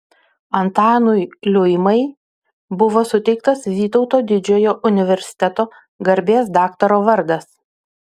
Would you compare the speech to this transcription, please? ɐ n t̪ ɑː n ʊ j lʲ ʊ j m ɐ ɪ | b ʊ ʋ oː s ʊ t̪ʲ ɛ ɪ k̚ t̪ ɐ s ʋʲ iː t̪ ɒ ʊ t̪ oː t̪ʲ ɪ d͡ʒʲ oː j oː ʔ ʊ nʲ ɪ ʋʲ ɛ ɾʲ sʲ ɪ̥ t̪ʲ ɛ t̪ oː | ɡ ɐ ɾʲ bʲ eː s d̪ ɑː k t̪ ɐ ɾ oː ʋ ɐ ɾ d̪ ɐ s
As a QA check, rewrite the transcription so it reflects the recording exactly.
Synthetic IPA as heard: ɐ n t̪ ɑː n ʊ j lʲ ʊ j m ɐ ɪ | b ʊ ʋ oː s ʊ t̪ʲ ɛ ɪ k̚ t̪ ɐ s ʋʲ iː t̪ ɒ ʊ t̪ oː d̪ʲ ɪ d͡ʒʲ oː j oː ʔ ʊ nʲ ɪ ʋʲ ɛ ɾʲ sʲ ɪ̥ t̪ʲ ɛ t̪ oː | ɡ ɐ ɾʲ bʲ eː s d̪ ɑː k t̪ ɐ ɾ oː ʋ ɐ ɾ d̪ ɐ s